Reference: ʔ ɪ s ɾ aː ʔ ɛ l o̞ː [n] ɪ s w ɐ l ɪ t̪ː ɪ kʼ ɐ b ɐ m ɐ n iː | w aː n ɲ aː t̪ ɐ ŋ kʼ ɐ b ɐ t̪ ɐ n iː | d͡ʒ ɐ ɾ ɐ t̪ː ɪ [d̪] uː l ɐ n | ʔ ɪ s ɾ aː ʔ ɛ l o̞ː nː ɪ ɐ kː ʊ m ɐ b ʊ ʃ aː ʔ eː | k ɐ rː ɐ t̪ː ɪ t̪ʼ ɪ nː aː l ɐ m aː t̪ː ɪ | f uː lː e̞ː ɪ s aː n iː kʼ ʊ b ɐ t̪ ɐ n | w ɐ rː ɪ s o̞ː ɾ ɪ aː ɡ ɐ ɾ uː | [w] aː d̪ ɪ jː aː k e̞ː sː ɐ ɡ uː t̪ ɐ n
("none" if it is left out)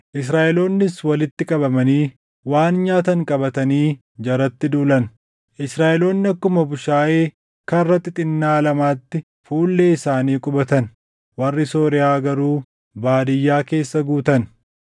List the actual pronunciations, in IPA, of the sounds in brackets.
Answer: nː, d̪, b

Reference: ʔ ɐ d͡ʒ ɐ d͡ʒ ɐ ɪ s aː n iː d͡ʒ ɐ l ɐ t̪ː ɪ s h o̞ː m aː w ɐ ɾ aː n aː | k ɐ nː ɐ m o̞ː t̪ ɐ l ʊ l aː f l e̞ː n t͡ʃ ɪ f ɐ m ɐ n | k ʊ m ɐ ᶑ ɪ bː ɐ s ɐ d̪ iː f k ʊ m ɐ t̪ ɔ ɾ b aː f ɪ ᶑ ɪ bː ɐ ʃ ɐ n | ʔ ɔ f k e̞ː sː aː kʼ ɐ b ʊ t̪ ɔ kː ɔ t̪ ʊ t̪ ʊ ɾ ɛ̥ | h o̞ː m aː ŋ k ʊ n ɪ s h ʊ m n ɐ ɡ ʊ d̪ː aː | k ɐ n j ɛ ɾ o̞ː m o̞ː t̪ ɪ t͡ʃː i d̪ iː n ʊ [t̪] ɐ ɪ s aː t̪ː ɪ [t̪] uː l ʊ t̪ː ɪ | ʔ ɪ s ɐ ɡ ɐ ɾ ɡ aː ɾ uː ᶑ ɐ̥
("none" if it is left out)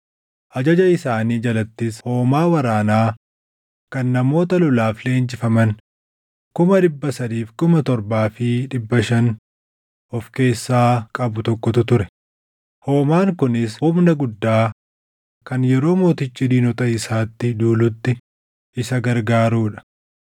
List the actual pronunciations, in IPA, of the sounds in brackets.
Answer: t̪, d̪

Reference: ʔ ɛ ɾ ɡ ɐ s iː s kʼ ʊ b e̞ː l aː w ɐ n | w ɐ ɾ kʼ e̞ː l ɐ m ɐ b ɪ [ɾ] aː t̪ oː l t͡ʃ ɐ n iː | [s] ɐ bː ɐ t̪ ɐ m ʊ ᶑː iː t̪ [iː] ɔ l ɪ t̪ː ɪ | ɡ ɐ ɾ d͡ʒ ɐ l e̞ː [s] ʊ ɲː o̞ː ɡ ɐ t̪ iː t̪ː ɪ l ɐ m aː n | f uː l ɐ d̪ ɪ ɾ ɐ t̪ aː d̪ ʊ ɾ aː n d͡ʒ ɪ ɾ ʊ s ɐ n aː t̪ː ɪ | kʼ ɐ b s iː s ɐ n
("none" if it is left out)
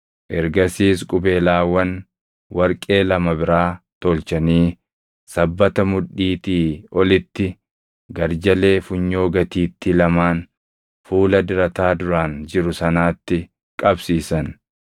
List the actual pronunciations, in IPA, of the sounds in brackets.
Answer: ɾ, s, iː, f

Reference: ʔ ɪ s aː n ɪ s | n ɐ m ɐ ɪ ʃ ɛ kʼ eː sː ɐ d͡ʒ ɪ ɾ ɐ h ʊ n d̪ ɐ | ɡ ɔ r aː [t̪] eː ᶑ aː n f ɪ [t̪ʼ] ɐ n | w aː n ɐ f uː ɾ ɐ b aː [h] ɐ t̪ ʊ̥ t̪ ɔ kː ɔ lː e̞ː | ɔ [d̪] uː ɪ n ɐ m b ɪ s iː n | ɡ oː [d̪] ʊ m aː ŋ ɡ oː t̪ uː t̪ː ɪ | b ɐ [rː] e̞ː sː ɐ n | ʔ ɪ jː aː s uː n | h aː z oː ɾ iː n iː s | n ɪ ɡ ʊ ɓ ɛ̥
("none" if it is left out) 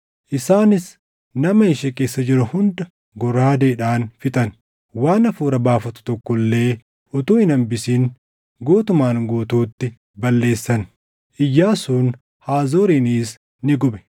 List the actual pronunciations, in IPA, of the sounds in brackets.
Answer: d̪, t̪ʼ, f, t̪, t̪, lː

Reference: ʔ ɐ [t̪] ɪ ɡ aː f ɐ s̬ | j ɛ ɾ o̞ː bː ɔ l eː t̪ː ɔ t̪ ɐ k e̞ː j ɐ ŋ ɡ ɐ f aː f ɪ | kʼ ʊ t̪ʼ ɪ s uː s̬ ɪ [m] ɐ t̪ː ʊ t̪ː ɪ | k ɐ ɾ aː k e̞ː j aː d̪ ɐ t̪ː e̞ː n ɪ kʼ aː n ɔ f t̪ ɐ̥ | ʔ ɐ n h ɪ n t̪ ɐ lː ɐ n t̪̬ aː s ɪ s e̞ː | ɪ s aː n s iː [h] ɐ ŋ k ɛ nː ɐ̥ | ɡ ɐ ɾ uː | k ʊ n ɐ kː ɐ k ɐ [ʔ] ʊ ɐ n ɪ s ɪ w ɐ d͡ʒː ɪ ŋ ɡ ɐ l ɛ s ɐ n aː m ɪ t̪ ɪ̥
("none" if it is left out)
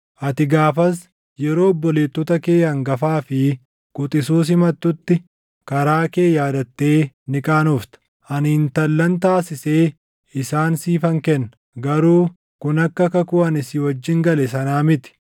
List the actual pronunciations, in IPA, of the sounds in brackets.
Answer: t̪, m, f, k

